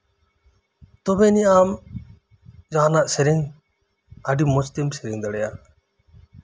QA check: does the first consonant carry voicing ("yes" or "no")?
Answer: no